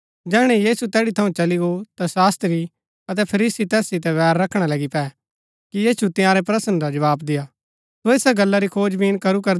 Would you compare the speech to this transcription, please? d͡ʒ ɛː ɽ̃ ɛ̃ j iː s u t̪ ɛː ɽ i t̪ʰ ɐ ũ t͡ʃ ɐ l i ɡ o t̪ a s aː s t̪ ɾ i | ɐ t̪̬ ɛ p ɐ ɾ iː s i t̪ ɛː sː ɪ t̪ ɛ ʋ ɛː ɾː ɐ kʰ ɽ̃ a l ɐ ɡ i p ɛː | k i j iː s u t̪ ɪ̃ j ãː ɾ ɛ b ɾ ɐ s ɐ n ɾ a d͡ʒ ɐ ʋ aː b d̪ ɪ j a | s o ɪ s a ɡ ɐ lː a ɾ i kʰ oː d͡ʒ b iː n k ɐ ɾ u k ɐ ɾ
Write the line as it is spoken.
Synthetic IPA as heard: d͡ʒ ɛː ɽ̃ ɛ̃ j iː s u t̪ ɛː ɽ i t̪ʰ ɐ ũ t͡ʃ ɐ l i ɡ o t̪ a s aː s t̪ ɾ i | ɐ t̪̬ ɛ pʰ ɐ ɾ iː s i t̪ ɛː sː ɪ t̪ ɛ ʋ ɛː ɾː ɐ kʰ ɽ̃ a l ɐ ɡ i p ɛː | k i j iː s u t̪ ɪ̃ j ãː ɾ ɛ p ɾ ɐ s ə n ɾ a d͡ʒ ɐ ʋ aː b d̪ ɪ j a | s o ɪ s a ɡ ɐ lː a ɾ i kʰ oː d͡ʒ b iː n k ɐ ɾ u k ɐ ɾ